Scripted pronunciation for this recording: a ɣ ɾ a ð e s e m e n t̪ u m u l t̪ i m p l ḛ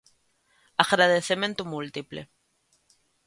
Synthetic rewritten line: a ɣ ɾ a ð e θ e m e n t̪ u m u l t̪ i p l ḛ

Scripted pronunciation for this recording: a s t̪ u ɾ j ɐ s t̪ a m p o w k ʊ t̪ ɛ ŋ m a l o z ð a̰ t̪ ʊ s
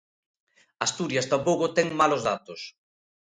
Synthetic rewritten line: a s t̪ u ɾ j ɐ s t̪ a m p o w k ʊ t̪ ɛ ŋ m a l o z ð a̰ t̪ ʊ s

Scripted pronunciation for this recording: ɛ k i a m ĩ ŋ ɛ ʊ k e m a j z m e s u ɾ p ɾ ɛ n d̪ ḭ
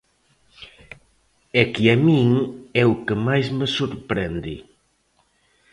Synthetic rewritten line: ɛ k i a m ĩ ŋ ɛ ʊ k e m a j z m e s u ɾ p ɾ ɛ n d̪ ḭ

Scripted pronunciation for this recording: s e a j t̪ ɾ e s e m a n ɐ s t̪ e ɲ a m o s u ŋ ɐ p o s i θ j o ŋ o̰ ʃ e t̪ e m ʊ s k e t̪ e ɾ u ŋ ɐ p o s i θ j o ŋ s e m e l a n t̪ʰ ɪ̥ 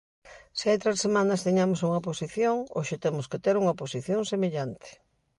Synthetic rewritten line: s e a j t̪ ɾ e s e m a n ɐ s t̪ e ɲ a m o s u ŋ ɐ p o s i θ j o ŋ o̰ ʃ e t̪ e m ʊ s k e t̪ e ɾ u ŋ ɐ p o s i θ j o ŋ s e m e ʎ a n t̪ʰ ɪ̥

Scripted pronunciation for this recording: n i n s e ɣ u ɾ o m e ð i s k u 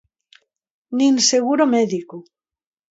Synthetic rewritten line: n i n s e ɣ u ɾ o m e ð i k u

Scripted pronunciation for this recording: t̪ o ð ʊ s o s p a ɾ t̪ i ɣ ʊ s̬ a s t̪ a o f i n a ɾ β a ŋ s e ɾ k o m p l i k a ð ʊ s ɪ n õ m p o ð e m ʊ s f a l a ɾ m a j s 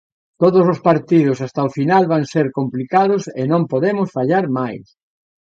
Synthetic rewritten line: t̪ o ð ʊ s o s p a ɾ t̪ i ð ʊ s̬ a s t̪ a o f i n a l β a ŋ s e ɾ k o m p l i k a ð ʊ s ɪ n õ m p o ð e m ʊ s f a ʎ a ɾ m a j s

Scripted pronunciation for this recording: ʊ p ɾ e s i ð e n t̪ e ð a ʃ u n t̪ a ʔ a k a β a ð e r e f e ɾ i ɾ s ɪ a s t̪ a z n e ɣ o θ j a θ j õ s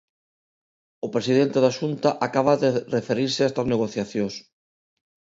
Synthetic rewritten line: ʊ p ɾ e s i ð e n t̪ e ð a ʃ u n t̪ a ʔ a k a β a ð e r e f e ɾ i ɾ s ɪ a s t̪ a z n e ɣ o θ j a θ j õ s

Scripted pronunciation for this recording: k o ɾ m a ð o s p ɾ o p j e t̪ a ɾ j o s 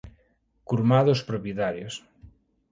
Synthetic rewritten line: k u ɾ m a ð o s p ɾ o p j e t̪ a ɾ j o s

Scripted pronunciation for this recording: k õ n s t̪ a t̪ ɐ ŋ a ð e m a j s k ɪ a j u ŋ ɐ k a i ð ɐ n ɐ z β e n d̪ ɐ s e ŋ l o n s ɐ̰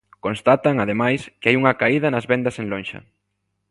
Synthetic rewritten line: k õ n s t̪ a t̪ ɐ ŋ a ð e m a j s k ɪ a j u ŋ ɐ k a i ð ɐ n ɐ z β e n d̪ ɐ s e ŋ l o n ʃ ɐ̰

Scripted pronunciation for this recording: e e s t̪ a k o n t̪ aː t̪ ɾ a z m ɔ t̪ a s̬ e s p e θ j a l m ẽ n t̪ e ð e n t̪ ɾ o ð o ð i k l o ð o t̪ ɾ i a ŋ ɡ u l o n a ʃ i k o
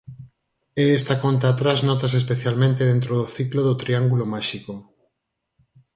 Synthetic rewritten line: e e s t̪ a k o n t̪ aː t̪ ɾ a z n ɔ t̪ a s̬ e s p e θ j a l m ẽ n t̪ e ð e n t̪ ɾ o ð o θ i k l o ð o t̪ ɾ i a ŋ ɡ u l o m a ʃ i k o

